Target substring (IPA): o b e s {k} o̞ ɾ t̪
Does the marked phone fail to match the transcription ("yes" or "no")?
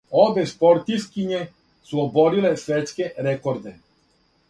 yes